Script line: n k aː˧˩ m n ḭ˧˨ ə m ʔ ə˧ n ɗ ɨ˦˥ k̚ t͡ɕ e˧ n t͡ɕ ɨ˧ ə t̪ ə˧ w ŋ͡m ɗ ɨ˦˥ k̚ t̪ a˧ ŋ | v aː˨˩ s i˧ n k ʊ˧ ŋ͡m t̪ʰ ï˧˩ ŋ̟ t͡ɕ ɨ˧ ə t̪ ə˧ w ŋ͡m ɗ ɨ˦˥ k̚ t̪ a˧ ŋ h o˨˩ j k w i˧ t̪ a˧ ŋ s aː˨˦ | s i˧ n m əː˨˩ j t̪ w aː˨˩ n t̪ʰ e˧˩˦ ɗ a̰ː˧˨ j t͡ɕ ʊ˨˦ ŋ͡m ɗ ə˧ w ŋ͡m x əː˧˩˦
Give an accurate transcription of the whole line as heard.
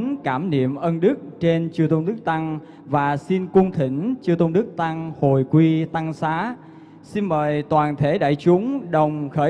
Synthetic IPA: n k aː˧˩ m n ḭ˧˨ ə m ʔ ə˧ n ɗ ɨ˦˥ k̚ t͡ɕ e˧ n t͡ɕ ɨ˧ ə t̪ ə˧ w ŋ͡m ɗ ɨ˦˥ k̚ t̪ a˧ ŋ | v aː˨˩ s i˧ n k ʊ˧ ŋ͡m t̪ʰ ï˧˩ ŋ̟ t͡ɕ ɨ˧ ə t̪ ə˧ w ŋ͡m ɗ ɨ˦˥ k̚ t̪ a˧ ŋ h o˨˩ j k w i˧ t̪ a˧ ŋ s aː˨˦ | s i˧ n m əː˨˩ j t̪ w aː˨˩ n t̪ʰ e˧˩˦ ɗ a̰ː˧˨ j t͡ɕ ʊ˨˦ ŋ͡m ɗ ə˨˩ w ŋ͡m x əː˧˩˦